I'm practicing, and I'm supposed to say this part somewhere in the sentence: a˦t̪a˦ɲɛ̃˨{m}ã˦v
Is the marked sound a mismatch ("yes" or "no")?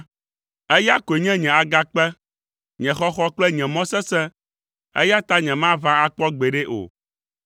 no